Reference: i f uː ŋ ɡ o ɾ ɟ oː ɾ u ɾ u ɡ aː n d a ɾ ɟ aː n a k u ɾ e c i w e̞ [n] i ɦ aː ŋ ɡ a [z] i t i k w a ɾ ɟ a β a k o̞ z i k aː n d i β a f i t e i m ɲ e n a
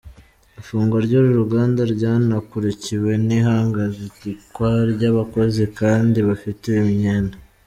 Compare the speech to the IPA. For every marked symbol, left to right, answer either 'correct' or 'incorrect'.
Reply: correct, correct

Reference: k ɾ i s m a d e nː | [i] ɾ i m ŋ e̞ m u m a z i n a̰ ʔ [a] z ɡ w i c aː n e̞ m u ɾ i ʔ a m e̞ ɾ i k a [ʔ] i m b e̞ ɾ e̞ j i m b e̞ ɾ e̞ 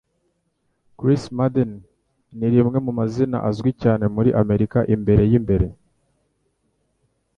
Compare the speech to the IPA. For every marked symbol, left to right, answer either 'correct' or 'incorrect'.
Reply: correct, correct, correct

